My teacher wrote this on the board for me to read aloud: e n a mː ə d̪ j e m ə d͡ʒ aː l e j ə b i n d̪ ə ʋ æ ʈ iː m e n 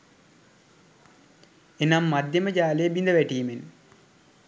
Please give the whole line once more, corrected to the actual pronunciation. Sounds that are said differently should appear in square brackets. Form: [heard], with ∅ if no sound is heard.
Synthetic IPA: e n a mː [a] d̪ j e m ə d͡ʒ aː l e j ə b i n d̪ ə ʋ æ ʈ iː m e n